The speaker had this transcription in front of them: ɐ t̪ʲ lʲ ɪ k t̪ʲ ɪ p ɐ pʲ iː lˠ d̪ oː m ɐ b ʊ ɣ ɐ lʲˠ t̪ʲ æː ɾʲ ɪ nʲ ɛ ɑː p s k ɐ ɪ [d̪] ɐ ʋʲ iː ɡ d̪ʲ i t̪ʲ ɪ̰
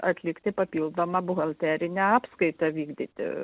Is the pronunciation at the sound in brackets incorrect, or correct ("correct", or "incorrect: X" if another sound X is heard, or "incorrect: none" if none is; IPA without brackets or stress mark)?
incorrect: t̪